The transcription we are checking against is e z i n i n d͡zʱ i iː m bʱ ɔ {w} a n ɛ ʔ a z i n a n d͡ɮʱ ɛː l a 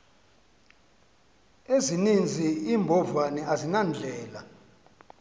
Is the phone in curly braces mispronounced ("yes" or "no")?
yes